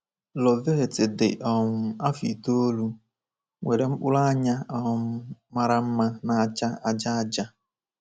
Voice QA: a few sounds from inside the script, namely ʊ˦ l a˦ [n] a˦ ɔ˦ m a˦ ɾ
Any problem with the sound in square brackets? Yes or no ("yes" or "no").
yes